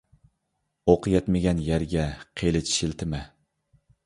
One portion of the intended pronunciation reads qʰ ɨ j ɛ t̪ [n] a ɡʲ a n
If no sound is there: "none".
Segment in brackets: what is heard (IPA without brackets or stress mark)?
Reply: m